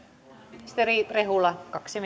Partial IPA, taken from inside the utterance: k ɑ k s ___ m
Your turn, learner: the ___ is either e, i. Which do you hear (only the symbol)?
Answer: i